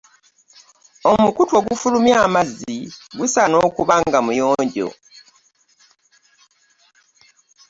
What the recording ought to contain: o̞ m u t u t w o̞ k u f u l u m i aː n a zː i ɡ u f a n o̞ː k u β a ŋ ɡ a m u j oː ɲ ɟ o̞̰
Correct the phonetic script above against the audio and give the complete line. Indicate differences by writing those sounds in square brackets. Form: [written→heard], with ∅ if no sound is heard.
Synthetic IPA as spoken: o̞ m u [t→k] u t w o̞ [k→ɡ] u f u l u m [i→j] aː [n→m] a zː i ɡ u [f→s] a n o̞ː k u β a ŋ ɡ a m u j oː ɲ ɟ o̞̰

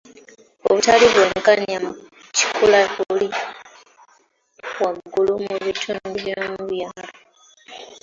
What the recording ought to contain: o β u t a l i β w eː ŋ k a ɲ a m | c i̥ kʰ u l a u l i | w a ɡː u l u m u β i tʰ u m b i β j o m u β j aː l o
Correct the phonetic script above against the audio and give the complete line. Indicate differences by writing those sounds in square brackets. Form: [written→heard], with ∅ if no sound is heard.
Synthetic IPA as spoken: o β u t a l i β w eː ŋ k a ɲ a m | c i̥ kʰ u l a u l i | w a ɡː u l u m u β i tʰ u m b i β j o m u β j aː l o

